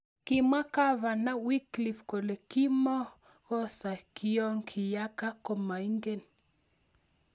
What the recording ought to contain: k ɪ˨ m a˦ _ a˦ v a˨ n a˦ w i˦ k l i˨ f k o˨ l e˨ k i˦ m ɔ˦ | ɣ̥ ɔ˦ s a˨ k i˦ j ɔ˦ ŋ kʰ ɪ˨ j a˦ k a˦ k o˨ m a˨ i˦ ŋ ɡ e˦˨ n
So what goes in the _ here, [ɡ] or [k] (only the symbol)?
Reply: k